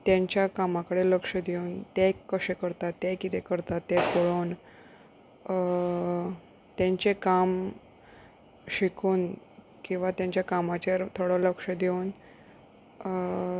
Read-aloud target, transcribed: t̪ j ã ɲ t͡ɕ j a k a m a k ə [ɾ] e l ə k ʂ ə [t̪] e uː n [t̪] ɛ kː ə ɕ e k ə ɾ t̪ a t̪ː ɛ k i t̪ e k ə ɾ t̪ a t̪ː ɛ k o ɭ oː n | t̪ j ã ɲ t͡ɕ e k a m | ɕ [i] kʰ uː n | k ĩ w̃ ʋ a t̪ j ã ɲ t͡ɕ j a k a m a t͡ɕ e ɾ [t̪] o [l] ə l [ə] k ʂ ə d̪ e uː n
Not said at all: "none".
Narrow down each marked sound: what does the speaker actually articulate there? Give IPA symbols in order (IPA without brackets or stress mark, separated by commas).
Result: ɽ, d̪, t̪, i, t̪ʰ, ɽ, ə